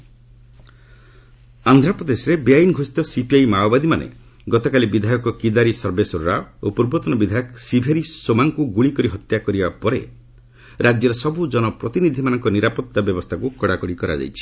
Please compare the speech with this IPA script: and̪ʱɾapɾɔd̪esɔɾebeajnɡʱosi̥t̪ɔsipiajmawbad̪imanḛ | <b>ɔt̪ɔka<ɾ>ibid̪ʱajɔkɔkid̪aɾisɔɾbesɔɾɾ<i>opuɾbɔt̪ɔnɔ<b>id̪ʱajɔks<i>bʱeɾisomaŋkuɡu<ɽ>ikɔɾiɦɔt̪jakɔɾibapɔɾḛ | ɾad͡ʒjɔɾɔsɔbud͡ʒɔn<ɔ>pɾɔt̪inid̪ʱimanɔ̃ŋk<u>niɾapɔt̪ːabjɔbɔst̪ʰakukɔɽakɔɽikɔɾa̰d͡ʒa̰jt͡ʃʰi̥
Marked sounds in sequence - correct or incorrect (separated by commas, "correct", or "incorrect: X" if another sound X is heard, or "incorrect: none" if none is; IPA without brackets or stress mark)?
incorrect: ɡ, incorrect: l, incorrect: a, correct, correct, incorrect: ɭ, correct, incorrect: ɔ